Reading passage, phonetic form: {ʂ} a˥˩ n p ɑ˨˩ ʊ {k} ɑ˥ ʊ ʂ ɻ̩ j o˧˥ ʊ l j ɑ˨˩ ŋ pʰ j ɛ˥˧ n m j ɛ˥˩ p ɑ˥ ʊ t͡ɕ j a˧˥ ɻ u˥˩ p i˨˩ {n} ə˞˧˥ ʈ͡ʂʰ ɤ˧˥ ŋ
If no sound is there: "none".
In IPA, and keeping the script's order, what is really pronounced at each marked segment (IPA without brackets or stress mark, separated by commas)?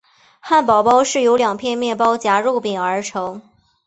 x, p, ŋ